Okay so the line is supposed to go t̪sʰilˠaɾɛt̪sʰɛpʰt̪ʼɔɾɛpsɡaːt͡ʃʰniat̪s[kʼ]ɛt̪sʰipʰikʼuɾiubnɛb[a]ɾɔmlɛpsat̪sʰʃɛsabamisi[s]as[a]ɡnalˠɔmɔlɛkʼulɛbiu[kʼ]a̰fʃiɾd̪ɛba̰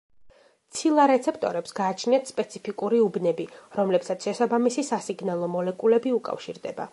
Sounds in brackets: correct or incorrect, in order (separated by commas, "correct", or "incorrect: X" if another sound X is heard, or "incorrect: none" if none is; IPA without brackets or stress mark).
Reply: incorrect: pʼ, incorrect: i, correct, incorrect: i, correct